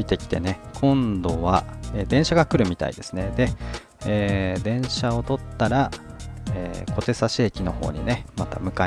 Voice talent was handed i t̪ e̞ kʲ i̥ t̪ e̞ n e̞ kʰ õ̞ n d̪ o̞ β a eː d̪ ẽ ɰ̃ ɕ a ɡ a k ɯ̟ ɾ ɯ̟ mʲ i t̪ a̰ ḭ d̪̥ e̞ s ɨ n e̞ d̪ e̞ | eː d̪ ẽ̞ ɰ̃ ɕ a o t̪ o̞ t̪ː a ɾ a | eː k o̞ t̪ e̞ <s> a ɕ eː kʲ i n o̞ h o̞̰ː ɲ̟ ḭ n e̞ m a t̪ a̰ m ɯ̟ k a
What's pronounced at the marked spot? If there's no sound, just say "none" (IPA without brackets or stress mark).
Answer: s